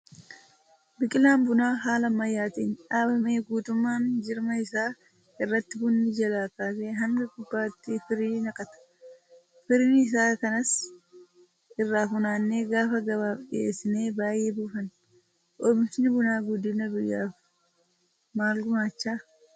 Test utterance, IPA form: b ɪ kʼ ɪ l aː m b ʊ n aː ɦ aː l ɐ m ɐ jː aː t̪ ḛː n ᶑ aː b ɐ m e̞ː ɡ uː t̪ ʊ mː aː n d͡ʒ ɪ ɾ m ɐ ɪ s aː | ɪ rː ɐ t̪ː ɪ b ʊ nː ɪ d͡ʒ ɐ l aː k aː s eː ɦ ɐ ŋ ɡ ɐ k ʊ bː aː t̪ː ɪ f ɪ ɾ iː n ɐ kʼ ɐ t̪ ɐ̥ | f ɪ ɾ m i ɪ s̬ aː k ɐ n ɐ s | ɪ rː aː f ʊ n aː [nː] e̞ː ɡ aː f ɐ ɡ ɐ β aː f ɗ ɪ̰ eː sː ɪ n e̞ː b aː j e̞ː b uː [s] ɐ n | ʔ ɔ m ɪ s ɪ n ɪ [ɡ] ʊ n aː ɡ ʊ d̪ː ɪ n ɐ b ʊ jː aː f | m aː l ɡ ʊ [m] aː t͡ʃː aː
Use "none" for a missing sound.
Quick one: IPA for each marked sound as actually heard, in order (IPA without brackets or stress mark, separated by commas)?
nː, f, b, m